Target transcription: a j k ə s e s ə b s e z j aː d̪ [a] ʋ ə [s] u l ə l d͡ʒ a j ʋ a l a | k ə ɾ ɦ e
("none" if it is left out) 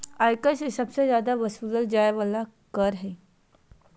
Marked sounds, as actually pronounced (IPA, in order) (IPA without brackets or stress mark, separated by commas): a, s